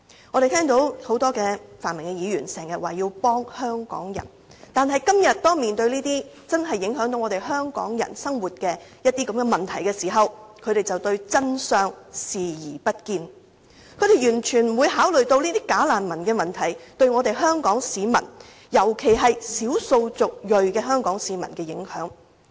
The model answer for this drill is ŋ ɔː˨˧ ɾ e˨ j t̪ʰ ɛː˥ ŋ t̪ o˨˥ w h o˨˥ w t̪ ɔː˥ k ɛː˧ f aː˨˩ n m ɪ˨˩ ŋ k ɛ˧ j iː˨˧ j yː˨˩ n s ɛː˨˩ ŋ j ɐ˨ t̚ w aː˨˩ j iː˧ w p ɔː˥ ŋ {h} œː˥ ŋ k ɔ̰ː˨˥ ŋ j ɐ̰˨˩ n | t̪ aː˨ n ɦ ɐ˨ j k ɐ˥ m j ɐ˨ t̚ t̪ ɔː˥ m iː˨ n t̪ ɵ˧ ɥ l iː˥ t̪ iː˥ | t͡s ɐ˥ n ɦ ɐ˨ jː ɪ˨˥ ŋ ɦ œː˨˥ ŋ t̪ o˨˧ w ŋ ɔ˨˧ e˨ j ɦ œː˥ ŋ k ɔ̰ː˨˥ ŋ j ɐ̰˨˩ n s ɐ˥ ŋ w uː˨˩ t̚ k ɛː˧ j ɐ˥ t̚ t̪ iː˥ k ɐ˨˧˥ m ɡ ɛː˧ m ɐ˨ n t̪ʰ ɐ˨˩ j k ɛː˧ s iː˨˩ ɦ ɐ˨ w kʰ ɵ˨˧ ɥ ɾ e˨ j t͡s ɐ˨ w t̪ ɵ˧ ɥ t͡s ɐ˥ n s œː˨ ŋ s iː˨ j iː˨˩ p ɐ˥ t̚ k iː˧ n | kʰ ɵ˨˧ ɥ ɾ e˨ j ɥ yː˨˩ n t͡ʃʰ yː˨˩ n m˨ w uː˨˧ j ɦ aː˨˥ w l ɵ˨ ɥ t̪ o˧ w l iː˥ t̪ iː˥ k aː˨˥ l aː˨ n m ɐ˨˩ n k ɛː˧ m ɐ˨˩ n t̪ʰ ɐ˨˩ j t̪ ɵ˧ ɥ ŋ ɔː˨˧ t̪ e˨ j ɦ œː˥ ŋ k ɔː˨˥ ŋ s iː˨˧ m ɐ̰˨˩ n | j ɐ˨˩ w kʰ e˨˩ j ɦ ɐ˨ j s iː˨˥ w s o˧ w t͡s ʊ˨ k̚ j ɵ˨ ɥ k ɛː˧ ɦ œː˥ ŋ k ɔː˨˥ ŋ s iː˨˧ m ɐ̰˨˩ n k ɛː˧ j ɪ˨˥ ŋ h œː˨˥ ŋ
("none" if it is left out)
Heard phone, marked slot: h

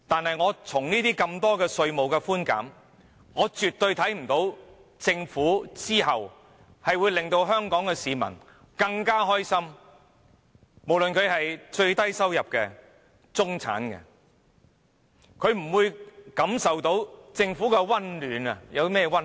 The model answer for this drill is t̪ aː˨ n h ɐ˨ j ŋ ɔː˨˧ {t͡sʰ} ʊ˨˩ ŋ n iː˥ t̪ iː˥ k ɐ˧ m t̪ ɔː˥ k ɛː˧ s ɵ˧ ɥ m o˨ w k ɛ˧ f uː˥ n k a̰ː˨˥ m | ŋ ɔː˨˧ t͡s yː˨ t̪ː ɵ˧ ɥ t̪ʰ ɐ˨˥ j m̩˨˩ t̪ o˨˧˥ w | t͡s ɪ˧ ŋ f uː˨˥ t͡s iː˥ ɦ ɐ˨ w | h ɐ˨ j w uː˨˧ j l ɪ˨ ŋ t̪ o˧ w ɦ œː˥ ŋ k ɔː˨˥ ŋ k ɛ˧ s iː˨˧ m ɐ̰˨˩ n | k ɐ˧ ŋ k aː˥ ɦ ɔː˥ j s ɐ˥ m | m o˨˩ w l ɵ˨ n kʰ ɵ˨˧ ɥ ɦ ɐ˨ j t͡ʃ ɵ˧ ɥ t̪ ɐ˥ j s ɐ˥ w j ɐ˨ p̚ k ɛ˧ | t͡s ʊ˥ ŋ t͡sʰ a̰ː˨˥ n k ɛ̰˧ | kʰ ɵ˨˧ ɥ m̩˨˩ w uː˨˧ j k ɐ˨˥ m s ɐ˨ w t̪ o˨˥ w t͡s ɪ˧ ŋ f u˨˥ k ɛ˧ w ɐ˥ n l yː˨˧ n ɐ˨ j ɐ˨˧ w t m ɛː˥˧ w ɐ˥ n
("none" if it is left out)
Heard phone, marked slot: t͡sʰ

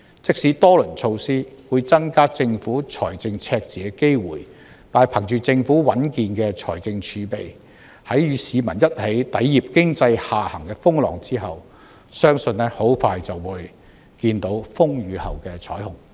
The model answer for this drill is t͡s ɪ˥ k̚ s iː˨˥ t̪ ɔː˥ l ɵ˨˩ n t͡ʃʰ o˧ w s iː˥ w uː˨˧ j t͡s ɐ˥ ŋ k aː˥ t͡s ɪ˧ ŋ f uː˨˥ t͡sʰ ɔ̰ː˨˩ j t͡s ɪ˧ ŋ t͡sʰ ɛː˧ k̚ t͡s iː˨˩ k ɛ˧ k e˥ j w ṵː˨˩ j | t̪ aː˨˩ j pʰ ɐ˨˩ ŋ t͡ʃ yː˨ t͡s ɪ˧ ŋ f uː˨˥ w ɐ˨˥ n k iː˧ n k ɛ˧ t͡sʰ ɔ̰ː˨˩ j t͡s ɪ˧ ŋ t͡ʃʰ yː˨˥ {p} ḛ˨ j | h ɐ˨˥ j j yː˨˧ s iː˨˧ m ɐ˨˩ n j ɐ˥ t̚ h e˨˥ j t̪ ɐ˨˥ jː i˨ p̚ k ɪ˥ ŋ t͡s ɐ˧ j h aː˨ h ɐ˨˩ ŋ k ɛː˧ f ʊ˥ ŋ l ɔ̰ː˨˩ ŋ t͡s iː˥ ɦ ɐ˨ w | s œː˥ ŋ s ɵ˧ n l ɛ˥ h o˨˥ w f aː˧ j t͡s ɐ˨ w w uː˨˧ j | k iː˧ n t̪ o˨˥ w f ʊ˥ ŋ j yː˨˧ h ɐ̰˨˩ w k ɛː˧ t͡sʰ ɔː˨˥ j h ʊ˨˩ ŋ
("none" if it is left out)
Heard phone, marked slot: p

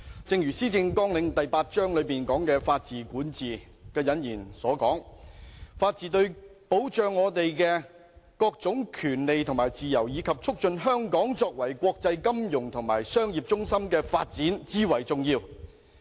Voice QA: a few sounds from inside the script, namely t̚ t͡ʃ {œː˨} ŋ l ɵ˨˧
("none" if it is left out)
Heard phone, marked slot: œː˥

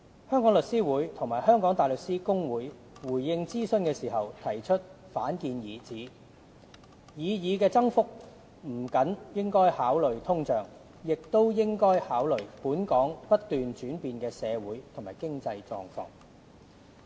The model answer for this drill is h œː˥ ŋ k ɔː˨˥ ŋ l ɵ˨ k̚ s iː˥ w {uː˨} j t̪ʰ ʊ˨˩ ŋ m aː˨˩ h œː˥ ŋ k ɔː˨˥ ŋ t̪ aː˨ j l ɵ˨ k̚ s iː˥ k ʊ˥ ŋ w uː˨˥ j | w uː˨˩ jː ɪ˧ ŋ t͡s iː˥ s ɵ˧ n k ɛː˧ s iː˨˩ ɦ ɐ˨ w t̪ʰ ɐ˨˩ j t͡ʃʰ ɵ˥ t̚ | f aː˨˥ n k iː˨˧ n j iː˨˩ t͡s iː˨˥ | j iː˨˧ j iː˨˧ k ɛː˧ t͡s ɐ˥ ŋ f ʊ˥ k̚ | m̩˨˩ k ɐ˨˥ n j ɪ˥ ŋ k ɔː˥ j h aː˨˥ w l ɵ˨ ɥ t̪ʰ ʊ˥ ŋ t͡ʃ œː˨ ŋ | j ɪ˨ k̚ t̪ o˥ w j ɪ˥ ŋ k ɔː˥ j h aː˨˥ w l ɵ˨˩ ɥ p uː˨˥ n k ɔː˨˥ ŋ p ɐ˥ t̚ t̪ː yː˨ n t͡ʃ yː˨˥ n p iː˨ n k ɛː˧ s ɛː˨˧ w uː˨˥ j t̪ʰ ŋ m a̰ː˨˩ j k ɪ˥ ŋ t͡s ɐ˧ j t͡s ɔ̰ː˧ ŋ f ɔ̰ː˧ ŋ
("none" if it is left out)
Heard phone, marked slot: uː˨˥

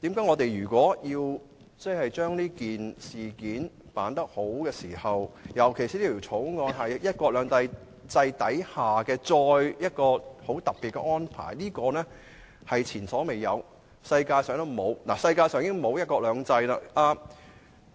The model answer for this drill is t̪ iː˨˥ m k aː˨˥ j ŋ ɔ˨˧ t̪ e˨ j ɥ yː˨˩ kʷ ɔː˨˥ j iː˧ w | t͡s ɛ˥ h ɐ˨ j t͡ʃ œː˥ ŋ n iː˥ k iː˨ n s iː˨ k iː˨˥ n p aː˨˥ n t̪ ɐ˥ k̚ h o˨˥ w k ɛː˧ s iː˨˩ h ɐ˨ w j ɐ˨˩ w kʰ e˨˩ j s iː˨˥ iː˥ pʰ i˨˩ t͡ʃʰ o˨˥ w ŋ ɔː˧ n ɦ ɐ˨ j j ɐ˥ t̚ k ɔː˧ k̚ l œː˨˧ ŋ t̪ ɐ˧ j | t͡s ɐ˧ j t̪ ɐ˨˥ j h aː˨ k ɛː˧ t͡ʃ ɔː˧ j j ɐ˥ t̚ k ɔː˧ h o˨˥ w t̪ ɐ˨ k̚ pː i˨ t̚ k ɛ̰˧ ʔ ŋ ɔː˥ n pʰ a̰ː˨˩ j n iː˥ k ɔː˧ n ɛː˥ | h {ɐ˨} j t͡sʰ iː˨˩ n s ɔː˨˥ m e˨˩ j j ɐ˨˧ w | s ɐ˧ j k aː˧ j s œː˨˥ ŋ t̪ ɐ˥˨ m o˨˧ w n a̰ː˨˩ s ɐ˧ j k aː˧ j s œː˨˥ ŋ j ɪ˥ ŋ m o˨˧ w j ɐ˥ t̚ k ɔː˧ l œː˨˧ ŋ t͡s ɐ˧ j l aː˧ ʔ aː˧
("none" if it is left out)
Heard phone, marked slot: ɐ˨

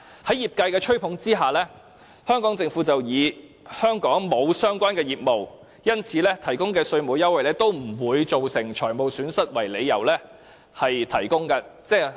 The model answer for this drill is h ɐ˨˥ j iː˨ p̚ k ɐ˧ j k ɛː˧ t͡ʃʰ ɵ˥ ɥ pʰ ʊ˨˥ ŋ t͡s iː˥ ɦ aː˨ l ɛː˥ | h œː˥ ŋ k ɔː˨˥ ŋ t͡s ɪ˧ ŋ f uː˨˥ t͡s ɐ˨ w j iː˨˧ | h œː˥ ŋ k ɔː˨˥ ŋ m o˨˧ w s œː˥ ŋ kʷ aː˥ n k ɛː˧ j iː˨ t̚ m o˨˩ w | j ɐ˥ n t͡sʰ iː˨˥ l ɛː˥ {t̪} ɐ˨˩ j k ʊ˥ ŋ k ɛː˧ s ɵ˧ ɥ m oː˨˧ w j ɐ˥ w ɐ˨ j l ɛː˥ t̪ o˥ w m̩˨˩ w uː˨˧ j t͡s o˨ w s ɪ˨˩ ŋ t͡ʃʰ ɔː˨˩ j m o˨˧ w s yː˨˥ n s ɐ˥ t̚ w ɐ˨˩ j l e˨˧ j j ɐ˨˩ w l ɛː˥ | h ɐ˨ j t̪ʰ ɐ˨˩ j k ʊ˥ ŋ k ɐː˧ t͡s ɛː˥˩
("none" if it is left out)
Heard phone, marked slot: t̪ʰ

